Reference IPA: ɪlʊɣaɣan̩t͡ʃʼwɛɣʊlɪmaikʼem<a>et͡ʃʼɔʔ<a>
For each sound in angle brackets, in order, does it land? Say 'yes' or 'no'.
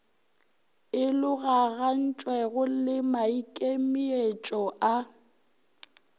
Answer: no, yes

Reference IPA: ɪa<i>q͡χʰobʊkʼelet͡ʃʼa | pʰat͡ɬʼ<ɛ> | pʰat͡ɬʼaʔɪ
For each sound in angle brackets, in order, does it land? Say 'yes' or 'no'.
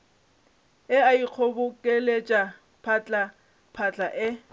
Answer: yes, no

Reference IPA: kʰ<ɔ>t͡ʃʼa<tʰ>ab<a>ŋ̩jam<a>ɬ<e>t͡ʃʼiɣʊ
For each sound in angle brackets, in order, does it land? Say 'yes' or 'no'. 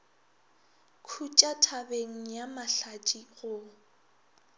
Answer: no, yes, no, yes, no

